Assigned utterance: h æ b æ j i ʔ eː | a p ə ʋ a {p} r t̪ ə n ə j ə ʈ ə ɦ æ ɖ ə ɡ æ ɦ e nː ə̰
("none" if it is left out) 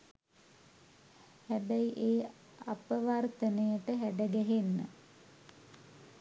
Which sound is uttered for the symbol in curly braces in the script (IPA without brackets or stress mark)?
none